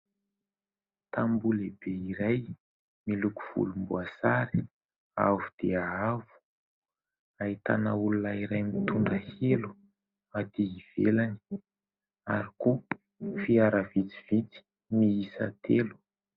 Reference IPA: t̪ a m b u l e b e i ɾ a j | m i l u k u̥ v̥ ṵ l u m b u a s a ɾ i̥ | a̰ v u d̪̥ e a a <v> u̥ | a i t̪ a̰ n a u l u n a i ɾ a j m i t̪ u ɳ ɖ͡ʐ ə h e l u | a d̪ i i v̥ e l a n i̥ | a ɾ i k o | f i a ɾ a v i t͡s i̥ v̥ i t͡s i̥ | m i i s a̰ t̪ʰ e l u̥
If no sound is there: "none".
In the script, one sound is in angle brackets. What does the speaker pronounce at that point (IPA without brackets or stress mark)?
v